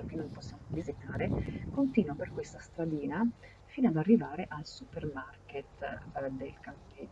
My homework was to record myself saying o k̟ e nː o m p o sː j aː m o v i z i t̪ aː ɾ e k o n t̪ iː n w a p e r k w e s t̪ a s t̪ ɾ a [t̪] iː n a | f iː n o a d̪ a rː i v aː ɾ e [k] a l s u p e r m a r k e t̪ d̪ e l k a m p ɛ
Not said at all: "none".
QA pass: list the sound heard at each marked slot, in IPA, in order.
d̪, ʔ

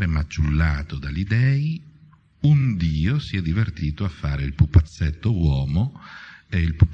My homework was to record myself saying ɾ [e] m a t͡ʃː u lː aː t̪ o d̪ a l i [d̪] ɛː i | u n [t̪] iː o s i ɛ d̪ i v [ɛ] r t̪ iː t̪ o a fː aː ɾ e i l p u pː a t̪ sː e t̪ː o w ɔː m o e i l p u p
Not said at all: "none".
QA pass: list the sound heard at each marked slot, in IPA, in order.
e, d̪, d̪, e

